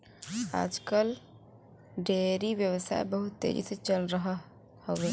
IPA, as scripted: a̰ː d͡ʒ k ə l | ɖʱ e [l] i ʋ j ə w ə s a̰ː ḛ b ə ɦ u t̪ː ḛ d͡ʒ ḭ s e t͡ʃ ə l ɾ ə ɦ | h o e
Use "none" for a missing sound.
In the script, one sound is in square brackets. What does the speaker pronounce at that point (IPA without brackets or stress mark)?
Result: ɾ